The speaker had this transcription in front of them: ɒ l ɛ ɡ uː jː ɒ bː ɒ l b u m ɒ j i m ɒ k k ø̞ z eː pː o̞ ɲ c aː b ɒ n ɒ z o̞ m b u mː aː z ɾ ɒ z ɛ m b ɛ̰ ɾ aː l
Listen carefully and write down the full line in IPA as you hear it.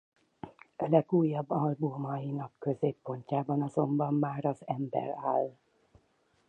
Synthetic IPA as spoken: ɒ l ɛ ɡ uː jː ɒ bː ɒ l b u m ɒ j i n ɒ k k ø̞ z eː pː o̞ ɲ c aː b ɒ n ɒ z o̞ m b ɒ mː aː ɾ ɒ z ɛ m b ɛ̰ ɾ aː l